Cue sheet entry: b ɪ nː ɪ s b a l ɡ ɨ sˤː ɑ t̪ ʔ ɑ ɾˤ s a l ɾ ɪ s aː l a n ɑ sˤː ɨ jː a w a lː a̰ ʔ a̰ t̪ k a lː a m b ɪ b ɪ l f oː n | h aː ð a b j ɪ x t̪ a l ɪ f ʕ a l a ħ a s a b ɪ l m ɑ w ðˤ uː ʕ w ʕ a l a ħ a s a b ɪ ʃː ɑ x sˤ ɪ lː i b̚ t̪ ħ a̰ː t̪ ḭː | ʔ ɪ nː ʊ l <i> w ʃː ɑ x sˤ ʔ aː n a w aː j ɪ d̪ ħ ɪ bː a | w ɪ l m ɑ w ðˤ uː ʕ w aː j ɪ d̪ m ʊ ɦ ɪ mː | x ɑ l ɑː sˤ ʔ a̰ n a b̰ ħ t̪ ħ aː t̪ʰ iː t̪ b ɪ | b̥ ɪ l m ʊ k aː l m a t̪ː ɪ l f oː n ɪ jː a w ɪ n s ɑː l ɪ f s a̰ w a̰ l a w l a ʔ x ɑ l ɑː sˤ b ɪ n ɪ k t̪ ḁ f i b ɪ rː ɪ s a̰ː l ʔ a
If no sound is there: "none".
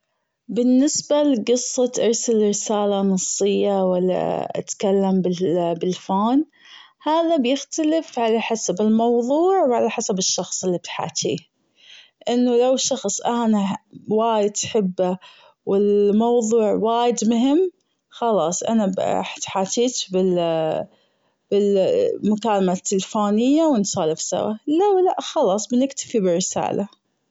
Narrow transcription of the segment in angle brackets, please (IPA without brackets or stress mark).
a